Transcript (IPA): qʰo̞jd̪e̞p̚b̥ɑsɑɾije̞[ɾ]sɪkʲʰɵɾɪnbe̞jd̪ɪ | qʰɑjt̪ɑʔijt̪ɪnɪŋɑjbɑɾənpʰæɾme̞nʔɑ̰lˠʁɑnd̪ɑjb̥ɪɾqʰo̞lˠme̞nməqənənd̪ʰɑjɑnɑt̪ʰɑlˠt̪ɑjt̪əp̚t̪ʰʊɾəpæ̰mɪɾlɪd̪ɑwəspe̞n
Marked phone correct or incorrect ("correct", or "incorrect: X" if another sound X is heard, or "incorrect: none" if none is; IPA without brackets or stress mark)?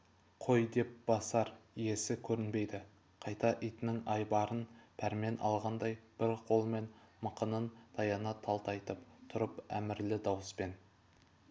incorrect: none